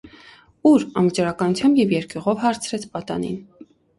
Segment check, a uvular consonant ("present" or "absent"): present